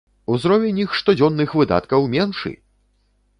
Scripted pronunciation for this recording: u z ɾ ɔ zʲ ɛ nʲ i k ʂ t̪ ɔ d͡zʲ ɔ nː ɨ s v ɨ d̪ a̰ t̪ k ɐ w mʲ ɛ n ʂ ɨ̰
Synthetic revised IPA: u z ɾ ɔ vʲ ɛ nʲ i x ʂ t̪ ɔ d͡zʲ ɔ nː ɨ x v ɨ d̪ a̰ t̪ k ɐ w mʲ ɛ n ʂ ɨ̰